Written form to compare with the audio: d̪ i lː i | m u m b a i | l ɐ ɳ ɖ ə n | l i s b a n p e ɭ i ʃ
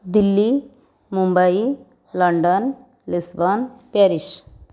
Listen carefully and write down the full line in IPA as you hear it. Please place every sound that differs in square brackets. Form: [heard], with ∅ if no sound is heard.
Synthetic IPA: d̪ i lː i | m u m b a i | l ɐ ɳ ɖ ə n | l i s b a n p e [ɾ] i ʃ

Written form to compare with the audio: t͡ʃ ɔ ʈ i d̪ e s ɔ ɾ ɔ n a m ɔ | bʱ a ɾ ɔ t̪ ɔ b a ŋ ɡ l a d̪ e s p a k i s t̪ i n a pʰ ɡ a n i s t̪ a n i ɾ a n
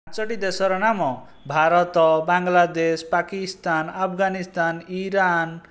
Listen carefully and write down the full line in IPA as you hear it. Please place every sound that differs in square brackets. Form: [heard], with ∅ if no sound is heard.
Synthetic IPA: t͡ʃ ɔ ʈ i d̪ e s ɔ ɾ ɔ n a m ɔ | bʱ a ɾ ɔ t̪ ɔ b a ŋ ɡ l a d̪ e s p a k i s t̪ [a] n a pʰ ɡ a n i s t̪ a n i ɾ a n

